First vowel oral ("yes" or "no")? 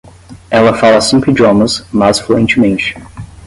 yes